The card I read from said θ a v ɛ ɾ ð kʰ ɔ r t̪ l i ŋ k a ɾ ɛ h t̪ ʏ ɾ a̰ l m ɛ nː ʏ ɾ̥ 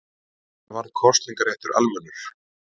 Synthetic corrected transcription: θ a v a ɾ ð kʰ ɔ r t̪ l i ŋ k a ɾ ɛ h t̪ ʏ ɾ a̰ l m ɛ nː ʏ ɾ̥